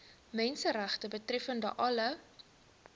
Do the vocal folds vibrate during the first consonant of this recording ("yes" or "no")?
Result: yes